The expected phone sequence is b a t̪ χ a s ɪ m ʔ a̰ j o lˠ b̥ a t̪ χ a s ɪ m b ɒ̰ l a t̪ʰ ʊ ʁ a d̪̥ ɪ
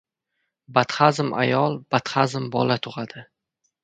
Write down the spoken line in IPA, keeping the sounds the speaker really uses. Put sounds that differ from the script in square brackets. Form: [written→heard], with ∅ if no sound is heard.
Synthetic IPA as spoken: b a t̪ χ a [s→z] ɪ m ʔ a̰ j [o→ɒ] lˠ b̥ a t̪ χ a [s→z] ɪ m b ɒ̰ l a t̪ʰ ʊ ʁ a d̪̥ ɪ

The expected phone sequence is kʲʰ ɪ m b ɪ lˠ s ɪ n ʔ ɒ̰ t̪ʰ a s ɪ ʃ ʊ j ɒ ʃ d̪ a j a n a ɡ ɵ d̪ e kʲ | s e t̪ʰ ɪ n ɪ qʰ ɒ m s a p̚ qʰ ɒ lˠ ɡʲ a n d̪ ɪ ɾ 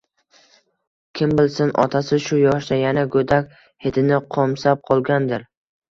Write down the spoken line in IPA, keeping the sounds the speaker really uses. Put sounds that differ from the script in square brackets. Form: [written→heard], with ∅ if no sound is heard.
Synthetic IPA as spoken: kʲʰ ɪ m b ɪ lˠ s ɪ n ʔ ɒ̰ t̪ʰ a s ɪ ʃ ʊ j ɒ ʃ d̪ a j a n a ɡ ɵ d̪ [e→a] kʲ | [s→h] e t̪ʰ ɪ n ɪ qʰ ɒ m s a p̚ qʰ ɒ lˠ ɡʲ a n d̪ ɪ ɾ

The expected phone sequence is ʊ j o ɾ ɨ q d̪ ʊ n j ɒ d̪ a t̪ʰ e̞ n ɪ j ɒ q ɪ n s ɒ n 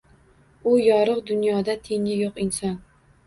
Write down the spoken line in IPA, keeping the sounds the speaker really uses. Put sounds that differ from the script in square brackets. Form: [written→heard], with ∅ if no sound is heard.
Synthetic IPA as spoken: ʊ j [o→ɒ] ɾ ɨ q d̪ ʊ n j ɒ d̪ a t̪ʰ e̞ [n→ŋ] ɪ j [ɒ→o] q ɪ n s ɒ n

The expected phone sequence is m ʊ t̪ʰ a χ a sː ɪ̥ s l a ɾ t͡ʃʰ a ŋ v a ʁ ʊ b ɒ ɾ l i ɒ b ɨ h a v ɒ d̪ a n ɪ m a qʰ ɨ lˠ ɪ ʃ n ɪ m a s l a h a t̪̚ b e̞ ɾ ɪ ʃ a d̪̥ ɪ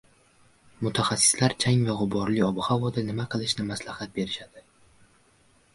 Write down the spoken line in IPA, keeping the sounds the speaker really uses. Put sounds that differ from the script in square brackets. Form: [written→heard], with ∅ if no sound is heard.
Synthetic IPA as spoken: m ʊ t̪ʰ a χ a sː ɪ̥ s l a ɾ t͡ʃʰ a ŋ v a ʁ ʊ b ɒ ɾ l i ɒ b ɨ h a v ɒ d̪ a n ɪ m a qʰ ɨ lˠ ɪ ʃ n ɪ m a s l a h a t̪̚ b e̞ ɾ ɪ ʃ a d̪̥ ɪ

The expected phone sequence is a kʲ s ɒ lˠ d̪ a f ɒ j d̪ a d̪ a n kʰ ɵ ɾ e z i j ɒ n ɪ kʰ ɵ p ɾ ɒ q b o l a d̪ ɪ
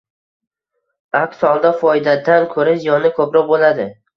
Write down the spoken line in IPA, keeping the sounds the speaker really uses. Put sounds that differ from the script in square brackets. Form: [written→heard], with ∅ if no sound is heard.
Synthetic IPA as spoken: a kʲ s ɒ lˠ d̪ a f ɒ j d̪ a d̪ a n kʰ ɵ ɾ [e→a] z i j ɒ n ɪ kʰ ɵ p ɾ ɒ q b o l a d̪ ɪ

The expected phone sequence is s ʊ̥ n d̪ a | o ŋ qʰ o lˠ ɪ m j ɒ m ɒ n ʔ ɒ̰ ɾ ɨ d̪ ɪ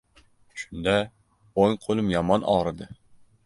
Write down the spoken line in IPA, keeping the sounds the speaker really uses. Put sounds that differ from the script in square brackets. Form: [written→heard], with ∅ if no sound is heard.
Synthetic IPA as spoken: [s→ʃ] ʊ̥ n d̪ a | o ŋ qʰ o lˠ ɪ m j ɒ m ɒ n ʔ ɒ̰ ɾ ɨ d̪ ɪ

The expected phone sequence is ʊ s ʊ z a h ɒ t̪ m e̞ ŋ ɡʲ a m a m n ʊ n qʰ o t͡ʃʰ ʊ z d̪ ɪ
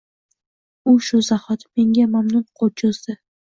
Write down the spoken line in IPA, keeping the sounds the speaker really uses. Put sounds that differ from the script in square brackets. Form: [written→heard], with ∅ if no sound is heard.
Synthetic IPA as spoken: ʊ [s→ʃ] ʊ z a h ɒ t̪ m e̞ ŋ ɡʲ a m a m n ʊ n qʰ o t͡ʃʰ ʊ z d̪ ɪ

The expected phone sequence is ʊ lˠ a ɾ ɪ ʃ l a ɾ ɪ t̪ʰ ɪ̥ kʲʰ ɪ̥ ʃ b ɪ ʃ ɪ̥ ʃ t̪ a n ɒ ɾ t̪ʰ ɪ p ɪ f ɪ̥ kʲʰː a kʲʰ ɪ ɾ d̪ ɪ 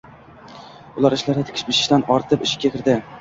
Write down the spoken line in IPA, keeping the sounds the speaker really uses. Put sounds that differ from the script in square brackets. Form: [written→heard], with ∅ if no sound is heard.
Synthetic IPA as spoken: ʊ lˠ a ɾ ɪ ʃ l a ɾ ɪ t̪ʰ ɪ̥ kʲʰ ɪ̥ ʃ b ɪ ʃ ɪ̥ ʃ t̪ a n ɒ ɾ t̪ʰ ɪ p ɪ [f→ʃ] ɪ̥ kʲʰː a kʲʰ ɪ ɾ d̪ ɪ

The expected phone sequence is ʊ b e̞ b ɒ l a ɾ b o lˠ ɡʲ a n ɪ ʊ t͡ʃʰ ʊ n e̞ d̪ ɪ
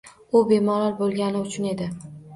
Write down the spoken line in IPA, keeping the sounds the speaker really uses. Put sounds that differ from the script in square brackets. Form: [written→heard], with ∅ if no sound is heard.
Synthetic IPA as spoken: ʊ b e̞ [b→m] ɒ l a ɾ b o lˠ ɡʲ a n ɪ ʊ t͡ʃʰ ʊ n e̞ d̪ ɪ

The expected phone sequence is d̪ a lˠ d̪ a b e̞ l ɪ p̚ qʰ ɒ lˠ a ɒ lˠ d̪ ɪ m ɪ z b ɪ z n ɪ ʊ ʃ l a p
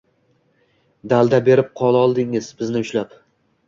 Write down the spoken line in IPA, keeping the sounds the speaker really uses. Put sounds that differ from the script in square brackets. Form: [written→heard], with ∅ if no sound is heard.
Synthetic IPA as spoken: d̪ a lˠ d̪ a b e̞ [l→ɾ] ɪ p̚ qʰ ɒ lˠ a ɒ lˠ d̪ ɪ [m→ŋ] ɪ z b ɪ z n ɪ ʊ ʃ l a p

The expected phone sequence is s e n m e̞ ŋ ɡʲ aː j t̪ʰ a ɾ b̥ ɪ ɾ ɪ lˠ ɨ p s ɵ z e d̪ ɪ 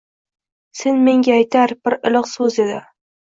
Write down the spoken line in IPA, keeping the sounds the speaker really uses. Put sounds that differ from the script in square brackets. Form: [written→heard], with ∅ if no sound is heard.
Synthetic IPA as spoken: s e n m e̞ ŋ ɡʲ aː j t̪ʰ a ɾ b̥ ɪ ɾ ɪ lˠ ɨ [p→q] s ɵ z e d̪ ɪ

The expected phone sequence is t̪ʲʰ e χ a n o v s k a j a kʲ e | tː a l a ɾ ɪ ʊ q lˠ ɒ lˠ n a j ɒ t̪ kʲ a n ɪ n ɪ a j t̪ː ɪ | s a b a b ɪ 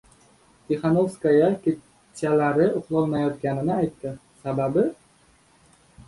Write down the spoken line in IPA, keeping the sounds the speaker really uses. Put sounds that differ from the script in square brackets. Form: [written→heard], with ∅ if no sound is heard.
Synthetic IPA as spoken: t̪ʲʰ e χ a n o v s k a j a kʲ e | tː a l a ɾ ɪ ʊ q lˠ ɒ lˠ n a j ɒ t̪ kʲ a n ɪ n ɪ a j t̪ː ɪ | s a b a b ɪ

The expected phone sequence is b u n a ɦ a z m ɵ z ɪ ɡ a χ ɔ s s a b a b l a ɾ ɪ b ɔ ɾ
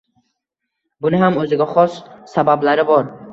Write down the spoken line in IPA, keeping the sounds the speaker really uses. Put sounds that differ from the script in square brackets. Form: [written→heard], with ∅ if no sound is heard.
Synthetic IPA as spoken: b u n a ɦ a [z→∅] m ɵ z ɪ ɡ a χ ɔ s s a b a b l a ɾ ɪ b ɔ ɾ

